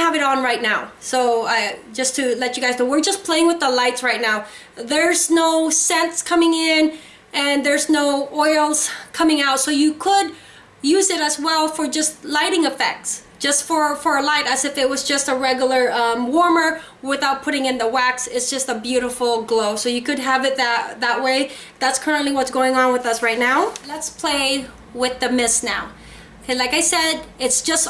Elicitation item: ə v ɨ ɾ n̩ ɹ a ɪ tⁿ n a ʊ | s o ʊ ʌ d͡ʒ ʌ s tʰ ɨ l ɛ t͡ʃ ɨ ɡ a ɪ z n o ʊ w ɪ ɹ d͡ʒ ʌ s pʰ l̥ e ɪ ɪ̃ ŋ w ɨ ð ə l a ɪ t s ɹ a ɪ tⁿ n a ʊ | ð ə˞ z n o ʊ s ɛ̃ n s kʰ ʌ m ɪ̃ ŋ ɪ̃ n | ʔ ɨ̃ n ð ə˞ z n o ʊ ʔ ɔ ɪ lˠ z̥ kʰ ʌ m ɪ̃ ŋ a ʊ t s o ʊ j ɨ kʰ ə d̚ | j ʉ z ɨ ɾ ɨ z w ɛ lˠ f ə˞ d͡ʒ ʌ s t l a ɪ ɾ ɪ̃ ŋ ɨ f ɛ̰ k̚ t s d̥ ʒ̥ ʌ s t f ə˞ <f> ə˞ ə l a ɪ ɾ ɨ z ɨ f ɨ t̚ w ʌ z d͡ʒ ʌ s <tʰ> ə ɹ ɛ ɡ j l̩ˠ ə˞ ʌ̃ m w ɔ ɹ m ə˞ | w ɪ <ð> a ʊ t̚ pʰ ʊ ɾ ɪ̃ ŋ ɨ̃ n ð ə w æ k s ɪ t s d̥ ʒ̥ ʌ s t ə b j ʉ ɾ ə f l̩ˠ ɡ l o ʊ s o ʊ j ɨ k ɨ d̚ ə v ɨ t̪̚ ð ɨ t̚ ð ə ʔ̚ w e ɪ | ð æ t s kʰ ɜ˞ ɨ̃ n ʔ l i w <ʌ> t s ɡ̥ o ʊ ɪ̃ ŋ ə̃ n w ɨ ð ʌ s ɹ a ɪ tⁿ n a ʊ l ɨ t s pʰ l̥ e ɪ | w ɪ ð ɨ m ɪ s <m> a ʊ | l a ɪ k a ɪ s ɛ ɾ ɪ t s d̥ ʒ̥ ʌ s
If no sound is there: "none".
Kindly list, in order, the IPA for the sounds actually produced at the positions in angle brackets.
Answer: f, t, θ, ʌ, n

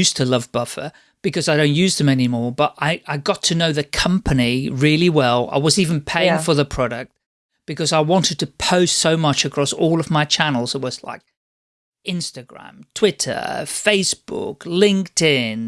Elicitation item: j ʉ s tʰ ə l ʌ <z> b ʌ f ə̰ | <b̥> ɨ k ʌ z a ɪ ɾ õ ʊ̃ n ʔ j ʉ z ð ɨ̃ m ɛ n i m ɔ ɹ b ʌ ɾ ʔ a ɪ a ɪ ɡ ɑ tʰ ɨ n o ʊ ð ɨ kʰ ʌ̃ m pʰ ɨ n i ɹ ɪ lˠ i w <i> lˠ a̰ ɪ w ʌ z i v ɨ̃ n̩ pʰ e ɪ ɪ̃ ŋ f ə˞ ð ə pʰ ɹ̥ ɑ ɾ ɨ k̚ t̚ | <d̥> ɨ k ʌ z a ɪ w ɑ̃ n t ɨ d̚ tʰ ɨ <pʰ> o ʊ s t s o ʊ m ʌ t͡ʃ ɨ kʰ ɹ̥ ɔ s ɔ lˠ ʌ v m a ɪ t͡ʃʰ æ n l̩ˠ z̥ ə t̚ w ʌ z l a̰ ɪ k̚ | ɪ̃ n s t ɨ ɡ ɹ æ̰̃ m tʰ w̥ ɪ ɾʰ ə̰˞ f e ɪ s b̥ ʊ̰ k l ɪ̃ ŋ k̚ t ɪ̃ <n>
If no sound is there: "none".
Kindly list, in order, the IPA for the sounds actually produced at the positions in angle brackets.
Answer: v, b̥, ɛ, b̥, pʰ, n

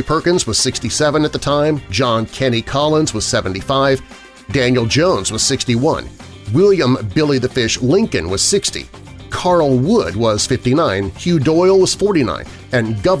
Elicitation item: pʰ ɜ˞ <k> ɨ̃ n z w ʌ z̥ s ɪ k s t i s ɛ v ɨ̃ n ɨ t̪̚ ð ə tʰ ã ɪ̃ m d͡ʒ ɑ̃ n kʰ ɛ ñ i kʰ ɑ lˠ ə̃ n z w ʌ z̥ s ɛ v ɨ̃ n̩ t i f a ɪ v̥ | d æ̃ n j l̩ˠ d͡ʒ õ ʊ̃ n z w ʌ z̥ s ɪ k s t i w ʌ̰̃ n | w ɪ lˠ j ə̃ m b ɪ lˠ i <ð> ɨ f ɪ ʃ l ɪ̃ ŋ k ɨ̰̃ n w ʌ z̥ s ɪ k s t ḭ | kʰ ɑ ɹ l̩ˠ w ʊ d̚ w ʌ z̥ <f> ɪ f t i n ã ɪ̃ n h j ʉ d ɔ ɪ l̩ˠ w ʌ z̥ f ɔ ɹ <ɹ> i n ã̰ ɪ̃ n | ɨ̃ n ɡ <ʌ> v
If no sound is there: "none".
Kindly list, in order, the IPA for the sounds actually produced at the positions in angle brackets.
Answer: k, ð, f, ɾ, ʌ

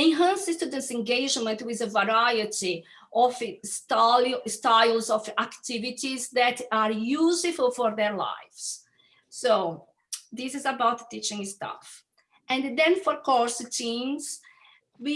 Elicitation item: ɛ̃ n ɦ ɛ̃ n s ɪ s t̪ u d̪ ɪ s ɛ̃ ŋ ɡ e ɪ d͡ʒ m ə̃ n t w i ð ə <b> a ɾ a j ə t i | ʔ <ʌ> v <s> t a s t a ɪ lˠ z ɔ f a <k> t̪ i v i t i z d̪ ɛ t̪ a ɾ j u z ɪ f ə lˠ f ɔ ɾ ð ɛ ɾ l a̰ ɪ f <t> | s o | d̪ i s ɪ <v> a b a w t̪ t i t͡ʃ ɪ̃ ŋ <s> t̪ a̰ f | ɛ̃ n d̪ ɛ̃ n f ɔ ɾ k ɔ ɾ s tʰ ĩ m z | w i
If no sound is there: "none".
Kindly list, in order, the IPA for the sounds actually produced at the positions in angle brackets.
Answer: v, ɔ, s, k, s, z, s

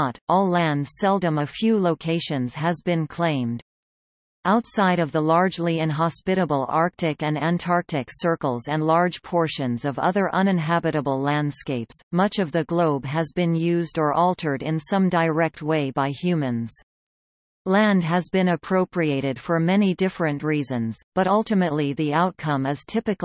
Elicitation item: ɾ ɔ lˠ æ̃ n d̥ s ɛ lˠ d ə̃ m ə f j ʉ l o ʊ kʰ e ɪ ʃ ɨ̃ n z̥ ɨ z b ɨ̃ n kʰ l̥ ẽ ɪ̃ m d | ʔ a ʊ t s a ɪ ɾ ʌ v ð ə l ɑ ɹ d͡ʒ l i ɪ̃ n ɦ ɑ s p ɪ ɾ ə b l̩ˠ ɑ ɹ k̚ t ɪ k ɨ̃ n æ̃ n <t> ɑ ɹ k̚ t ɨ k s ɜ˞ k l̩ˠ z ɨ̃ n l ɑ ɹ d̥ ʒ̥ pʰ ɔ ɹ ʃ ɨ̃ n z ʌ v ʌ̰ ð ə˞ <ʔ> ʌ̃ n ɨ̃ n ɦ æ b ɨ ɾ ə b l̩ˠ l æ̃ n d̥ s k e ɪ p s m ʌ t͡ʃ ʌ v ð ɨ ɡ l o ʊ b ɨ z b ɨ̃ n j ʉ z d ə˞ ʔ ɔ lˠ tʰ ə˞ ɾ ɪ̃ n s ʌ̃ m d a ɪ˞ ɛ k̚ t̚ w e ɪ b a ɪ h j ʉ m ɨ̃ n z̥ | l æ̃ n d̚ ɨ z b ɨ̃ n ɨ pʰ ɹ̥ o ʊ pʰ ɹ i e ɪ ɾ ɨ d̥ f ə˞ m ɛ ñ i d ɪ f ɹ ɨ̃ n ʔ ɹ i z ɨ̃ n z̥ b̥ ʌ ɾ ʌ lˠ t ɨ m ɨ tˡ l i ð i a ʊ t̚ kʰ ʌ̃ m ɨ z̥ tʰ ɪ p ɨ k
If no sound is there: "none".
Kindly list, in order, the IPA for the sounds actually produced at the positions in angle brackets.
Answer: tʰ, ʔ

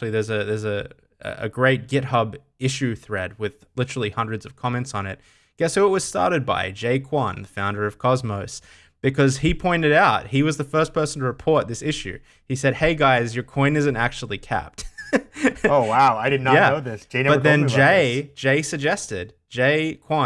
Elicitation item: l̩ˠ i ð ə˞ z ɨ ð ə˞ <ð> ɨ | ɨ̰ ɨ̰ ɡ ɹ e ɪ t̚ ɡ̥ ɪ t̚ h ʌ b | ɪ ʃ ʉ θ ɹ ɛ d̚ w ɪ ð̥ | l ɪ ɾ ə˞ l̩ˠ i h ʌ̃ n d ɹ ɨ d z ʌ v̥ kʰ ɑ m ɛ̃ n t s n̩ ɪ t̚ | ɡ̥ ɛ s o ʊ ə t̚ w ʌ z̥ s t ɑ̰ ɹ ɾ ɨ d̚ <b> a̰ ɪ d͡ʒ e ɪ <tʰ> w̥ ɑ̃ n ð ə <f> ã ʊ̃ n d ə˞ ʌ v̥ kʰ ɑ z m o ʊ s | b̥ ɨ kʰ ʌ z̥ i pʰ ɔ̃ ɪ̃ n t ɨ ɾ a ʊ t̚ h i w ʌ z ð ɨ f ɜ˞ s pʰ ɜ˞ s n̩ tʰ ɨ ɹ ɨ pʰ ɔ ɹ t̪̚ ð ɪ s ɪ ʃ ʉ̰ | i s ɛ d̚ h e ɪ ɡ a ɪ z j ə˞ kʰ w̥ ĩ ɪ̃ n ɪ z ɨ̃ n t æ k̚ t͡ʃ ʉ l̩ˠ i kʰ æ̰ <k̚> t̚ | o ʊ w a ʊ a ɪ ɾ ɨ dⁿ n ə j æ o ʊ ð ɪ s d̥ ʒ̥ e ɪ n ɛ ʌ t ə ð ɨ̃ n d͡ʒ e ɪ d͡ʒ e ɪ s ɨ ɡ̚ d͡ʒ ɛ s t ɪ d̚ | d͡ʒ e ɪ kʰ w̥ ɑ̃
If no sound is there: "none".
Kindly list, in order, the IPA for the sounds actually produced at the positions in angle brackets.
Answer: z, b, kʰ, f, p̚

